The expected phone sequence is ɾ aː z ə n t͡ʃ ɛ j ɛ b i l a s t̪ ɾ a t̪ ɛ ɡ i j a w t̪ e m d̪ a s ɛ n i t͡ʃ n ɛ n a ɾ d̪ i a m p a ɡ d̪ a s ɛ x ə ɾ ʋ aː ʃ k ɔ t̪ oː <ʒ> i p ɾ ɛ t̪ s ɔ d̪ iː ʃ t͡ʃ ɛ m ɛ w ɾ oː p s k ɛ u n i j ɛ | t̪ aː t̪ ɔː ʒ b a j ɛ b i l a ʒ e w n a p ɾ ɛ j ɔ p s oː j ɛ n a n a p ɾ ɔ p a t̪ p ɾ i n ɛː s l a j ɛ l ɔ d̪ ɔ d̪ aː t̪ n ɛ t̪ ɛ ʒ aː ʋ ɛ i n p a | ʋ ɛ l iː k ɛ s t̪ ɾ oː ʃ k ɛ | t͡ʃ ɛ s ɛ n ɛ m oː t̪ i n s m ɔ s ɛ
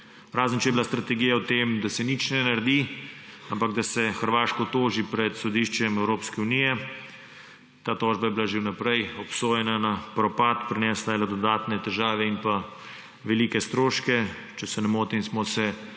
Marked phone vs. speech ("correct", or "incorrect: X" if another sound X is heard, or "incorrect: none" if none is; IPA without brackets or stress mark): correct